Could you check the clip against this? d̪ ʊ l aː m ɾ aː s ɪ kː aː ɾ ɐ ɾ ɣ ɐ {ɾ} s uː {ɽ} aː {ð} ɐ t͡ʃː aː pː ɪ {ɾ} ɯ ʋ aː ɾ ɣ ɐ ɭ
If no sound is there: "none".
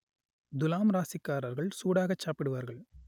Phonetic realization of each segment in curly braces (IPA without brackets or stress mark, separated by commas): ɭ, ɽ, ɣ, ɽ